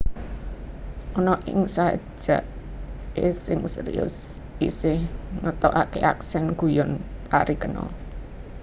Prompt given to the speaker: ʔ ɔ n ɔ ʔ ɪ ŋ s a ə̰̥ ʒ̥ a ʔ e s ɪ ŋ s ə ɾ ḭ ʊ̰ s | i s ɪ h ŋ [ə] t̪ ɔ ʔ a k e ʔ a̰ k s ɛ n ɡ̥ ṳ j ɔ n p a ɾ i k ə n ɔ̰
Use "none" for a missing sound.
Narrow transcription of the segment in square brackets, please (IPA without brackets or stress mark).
ə